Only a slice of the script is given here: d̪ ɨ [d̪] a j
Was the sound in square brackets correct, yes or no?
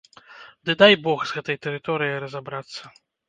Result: yes